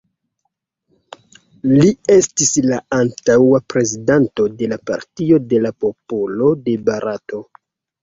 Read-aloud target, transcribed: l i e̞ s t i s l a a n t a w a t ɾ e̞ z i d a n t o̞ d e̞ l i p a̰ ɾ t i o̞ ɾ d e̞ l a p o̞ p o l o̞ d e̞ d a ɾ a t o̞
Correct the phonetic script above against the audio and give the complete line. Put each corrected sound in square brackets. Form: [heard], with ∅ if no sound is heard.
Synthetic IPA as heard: l i e̞ s t i s l a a n t a w a [p] ɾ e̞ z i d a n t o̞ d e̞ l [a] p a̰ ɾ t i o̞ [∅] d e̞ l a p o̞ p o l o̞ d e̞ [b] a ɾ a t o̞